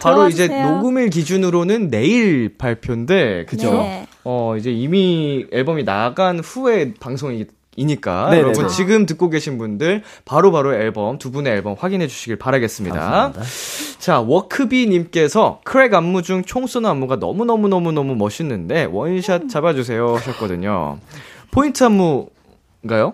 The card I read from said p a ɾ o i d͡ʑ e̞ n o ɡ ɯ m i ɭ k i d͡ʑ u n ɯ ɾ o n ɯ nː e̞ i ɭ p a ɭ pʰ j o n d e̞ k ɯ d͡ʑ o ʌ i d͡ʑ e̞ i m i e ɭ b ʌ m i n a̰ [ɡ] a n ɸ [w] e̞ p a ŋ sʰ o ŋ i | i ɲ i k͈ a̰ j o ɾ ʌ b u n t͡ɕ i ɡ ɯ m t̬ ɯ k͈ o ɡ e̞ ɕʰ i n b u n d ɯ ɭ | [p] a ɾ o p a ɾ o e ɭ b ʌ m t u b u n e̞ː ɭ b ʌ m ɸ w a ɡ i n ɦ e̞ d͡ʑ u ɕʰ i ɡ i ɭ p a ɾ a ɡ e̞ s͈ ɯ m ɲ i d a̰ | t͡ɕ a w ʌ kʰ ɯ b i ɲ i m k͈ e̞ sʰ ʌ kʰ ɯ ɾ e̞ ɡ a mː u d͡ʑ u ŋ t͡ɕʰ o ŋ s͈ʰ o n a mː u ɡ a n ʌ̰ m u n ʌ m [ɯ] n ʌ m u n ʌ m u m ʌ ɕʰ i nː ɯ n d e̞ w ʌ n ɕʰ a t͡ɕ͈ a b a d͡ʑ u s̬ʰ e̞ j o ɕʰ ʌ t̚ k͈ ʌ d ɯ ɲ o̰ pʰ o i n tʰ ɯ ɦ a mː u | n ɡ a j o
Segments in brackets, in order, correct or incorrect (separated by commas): correct, incorrect, correct, incorrect